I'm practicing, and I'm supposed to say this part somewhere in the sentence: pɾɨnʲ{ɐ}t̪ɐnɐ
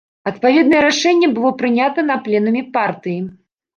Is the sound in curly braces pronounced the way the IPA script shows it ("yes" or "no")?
no